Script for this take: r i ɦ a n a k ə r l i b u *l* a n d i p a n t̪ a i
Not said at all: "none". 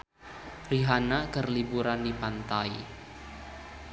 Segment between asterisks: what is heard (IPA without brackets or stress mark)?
ɾ